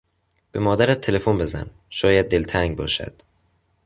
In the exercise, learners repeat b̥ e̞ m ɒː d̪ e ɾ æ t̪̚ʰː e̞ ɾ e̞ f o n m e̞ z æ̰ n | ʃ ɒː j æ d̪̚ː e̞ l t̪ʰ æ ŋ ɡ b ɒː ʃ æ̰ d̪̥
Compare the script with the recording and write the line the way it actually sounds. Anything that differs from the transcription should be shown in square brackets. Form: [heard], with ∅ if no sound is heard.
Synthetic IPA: b̥ e̞ m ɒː d̪ [æ] ɾ æ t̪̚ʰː e̞ [l] e̞ f o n [b] e̞ z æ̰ n | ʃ ɒː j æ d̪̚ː e̞ l t̪ʰ æ ŋ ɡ b ɒː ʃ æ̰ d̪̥